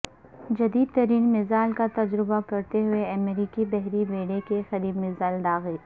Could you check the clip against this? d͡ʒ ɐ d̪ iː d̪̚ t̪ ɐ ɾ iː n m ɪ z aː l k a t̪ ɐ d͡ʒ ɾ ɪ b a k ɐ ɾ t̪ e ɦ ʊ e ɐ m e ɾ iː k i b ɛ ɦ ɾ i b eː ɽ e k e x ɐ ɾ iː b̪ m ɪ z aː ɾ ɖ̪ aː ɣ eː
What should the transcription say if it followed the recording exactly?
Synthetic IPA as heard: d͡ʒ ɐ d̪ iː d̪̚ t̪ ɐ ɾ iː n m ɪ z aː l k a t̪ ɐ d͡ʒ ɾ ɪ b a k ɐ ɾ t̪ e ɦ ʊ e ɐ m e ɾ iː k i b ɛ ɦ ɾ i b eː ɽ e k e x ɐ ɾ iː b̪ m ɪ z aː l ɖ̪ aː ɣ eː